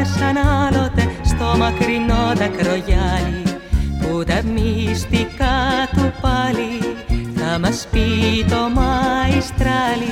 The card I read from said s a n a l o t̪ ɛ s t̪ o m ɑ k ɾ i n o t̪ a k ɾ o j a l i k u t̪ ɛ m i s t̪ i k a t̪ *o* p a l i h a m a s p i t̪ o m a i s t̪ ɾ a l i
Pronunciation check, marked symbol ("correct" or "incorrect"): incorrect